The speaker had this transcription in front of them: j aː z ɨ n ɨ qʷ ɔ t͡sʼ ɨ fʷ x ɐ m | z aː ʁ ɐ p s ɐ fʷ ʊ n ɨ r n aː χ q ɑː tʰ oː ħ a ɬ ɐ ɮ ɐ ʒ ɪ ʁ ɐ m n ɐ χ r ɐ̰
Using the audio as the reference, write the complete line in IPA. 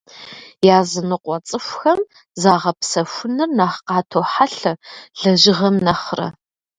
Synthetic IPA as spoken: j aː z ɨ n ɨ qʷ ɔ t͡sʼ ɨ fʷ x ɐ m | z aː ʁ ɐ p s ɐ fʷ ʊ n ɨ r n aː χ q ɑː tʰ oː ħ a ɬ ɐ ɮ ɐ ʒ ɪ ʁ ɐ m n ɐ χ r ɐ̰